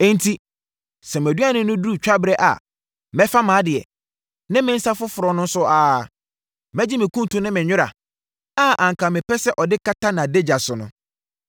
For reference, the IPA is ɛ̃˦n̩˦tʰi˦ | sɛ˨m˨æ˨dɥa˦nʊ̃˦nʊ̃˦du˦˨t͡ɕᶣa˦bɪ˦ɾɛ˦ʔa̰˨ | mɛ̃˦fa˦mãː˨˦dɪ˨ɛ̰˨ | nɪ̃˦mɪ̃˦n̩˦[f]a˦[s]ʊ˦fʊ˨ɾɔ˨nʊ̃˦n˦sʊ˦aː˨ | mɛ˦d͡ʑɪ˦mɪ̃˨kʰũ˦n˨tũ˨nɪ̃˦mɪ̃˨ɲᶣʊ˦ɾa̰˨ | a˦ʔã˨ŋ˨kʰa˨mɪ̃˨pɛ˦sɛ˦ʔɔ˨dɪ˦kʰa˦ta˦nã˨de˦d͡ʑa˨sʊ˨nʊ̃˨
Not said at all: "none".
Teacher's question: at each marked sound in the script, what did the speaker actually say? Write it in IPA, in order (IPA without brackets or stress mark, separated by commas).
s, f